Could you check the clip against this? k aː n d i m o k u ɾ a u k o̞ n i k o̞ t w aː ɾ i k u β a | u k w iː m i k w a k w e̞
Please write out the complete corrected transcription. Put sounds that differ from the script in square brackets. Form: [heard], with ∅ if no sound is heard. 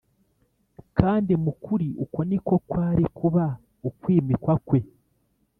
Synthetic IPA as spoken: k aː n d i m [u] k u ɾ [i] u k o̞ n i k o̞ [k] w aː ɾ i k u β a | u k w iː m i k w a k w e̞